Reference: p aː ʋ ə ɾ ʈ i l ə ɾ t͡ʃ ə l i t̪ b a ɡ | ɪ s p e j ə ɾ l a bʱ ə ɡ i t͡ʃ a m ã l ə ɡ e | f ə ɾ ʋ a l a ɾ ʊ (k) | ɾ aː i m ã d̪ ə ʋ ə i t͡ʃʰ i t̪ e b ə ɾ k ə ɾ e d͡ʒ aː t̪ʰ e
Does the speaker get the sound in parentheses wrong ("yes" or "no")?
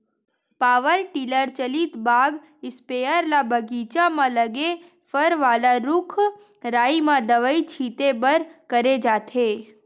yes